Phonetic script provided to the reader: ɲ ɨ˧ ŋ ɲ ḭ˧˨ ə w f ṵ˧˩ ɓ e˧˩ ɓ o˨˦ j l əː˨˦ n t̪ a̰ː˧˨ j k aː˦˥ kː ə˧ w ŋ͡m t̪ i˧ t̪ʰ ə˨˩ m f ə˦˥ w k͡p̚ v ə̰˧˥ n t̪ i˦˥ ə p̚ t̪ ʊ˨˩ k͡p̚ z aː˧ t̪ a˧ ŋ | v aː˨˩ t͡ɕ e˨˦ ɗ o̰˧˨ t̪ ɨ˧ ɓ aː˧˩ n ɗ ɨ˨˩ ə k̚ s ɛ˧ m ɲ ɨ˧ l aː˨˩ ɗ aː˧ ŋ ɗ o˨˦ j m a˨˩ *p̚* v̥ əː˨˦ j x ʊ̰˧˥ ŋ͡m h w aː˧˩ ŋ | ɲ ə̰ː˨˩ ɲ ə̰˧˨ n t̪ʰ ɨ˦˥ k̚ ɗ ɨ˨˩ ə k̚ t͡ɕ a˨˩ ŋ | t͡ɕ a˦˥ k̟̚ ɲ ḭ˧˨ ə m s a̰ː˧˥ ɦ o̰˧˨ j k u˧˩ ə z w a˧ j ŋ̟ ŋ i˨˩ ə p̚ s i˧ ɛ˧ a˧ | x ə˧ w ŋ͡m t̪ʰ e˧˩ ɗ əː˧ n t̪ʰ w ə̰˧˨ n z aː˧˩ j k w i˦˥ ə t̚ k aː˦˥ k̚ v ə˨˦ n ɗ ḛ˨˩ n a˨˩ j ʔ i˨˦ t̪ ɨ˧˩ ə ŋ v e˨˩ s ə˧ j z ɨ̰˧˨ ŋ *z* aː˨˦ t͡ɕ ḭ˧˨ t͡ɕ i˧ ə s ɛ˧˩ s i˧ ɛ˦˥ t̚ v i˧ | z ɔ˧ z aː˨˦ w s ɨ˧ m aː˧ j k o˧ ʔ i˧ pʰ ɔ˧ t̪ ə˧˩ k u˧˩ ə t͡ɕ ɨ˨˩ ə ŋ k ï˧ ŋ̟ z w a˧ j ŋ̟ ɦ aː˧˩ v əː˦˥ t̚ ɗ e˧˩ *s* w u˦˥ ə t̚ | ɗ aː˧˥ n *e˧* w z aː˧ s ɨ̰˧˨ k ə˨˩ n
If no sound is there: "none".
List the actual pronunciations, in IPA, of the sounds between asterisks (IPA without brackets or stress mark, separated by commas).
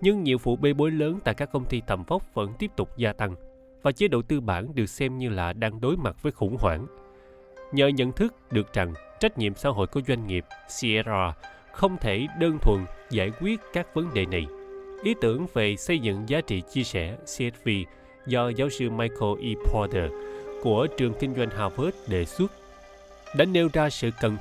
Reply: t̚, z, s, e˧